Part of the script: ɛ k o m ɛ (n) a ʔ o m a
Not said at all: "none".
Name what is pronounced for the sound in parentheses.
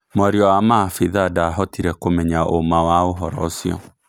ɲ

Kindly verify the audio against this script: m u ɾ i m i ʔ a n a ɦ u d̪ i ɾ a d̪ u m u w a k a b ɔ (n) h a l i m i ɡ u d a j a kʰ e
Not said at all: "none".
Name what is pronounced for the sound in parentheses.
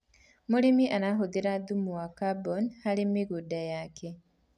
n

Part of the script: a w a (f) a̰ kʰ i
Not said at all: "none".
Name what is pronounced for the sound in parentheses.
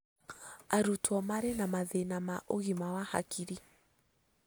h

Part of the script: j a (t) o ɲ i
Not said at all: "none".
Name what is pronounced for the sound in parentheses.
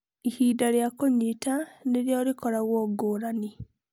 k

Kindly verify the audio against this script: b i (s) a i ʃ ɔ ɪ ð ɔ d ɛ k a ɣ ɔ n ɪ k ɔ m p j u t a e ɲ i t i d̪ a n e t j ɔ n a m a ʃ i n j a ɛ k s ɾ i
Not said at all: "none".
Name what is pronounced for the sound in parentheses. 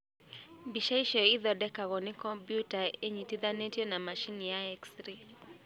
ʃ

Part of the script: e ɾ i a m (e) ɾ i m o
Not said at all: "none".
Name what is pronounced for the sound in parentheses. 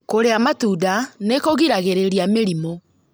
e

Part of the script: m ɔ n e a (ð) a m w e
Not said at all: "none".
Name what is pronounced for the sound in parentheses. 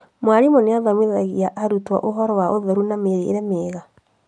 ð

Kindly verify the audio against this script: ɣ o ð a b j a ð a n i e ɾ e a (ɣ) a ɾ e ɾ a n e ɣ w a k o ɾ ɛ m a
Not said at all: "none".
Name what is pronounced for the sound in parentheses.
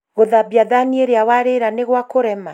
w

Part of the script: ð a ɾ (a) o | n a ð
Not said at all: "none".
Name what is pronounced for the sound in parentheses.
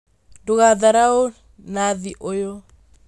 a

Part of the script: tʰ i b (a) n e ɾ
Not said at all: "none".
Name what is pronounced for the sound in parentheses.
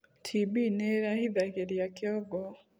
i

